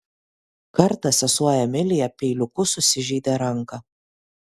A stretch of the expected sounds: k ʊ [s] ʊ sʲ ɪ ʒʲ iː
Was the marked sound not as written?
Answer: no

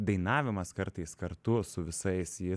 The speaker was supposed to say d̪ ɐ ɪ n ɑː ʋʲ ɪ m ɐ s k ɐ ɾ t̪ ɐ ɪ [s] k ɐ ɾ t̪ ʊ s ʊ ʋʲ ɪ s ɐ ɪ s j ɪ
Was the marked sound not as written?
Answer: no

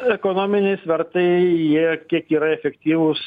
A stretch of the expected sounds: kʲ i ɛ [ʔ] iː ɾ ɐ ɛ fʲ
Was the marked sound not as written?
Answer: yes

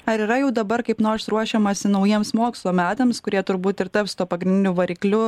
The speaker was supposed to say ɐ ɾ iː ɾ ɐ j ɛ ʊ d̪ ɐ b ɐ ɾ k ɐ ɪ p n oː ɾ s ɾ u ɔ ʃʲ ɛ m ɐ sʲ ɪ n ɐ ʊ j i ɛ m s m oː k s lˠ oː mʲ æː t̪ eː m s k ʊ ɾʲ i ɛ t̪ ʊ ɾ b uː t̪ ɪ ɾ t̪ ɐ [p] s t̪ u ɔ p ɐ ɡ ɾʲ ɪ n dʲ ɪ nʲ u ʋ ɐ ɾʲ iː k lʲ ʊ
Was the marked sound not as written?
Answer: no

